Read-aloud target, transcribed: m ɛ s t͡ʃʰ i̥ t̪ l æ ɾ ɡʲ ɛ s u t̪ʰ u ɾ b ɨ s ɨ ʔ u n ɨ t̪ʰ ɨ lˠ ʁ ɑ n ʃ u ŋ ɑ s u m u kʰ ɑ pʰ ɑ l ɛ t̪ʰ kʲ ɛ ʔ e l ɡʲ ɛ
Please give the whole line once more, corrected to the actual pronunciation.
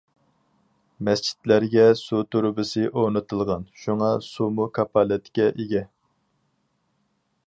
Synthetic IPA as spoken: m ɛ s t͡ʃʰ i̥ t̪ l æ ɾ ɡʲ ɛ s u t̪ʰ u ɾ b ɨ s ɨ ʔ o n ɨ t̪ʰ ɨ lˠ ʁ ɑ n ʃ u ŋ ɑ s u m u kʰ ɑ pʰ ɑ l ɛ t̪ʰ kʲ ɛ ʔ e ɡʲ ɛ